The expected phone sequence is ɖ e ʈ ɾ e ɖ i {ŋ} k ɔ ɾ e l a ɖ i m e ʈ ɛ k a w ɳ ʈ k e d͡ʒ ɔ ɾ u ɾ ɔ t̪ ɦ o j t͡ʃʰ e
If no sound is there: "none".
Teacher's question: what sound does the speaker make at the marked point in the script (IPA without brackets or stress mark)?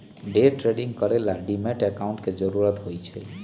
ŋ